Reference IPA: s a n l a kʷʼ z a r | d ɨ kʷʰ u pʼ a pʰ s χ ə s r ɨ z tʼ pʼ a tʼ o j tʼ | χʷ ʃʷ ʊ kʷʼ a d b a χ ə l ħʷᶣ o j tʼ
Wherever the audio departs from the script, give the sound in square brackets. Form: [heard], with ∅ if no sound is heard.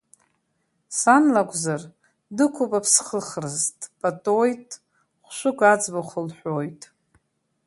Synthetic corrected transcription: s a n l a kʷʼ z a r | d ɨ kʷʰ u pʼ a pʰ s χ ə [χ] r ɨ z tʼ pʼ a tʼ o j tʼ | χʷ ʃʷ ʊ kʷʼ a [d͡z] b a χ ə l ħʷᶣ o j tʼ